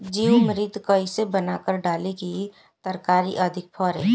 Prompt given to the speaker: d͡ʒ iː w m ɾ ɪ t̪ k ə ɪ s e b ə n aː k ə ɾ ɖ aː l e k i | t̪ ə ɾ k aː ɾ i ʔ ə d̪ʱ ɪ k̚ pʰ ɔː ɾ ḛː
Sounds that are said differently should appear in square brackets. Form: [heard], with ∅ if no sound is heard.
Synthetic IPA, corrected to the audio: d͡ʒ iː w m ɾ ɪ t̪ k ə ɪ s e b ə n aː k ə ɾ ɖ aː l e k i | t̪ ə ɾ k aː ɾ i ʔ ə d̪ʱ ɪ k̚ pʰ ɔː ɾ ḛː